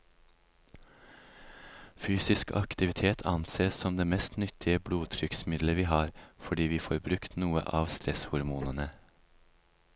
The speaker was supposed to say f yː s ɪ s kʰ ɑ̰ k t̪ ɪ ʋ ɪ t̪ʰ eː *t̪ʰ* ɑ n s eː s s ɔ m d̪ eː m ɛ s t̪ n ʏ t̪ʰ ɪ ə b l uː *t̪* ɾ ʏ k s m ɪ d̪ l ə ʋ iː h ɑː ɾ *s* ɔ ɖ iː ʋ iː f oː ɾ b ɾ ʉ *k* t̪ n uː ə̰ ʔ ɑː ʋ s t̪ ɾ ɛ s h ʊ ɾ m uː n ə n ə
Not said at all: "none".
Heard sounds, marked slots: t̪ʰ, t̪ʰ, f, k

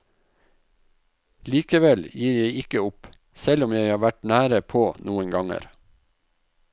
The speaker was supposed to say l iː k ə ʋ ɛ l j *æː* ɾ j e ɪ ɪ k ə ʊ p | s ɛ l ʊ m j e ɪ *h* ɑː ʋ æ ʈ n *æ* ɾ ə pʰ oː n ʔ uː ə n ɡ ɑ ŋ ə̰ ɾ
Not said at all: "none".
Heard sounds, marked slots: iː, h, æː

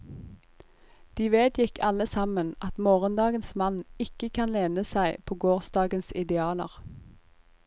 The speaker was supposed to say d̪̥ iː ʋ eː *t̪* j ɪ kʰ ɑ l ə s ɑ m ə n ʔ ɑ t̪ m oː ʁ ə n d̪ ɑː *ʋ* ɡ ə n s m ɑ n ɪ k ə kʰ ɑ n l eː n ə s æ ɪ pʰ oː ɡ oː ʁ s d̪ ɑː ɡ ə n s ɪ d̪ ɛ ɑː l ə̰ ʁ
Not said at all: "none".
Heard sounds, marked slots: d̪, none

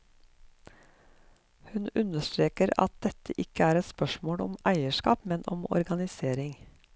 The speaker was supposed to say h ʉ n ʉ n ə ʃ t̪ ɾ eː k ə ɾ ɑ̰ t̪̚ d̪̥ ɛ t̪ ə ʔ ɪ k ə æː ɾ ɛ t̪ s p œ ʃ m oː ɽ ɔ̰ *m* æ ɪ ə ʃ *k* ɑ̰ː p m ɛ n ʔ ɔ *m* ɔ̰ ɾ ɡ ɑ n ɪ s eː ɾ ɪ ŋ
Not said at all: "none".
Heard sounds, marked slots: m, k, m

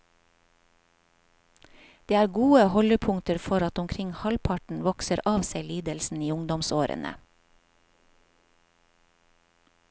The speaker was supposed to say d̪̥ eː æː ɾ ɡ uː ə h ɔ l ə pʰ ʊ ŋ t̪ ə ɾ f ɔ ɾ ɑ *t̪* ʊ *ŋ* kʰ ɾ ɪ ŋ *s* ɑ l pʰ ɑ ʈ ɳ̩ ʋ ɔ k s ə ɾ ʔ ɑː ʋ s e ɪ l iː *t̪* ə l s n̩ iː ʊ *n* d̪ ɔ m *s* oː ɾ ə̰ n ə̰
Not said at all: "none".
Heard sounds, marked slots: t̪, m, h, d̪, ŋ, s

